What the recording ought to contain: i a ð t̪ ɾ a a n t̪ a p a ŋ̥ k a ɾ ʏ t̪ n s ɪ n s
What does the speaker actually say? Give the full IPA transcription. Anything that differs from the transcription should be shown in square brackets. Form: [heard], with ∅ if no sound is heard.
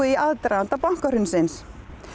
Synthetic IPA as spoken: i a ð t̪ ɾ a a n t̪ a p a ŋ̥ k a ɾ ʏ [∅] n s ɪ n s